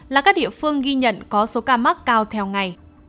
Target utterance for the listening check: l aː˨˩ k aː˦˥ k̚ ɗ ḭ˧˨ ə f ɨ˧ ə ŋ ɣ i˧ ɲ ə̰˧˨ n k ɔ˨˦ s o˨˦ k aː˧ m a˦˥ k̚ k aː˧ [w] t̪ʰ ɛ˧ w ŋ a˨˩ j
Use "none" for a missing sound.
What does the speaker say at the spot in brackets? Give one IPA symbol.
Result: w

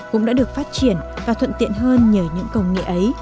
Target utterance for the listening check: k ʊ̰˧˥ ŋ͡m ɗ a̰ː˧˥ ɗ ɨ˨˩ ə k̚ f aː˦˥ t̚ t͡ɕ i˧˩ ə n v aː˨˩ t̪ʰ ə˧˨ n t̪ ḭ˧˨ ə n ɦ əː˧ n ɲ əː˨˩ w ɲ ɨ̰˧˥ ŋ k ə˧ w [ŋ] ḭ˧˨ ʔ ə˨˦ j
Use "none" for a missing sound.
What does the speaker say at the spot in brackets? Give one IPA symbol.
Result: ŋ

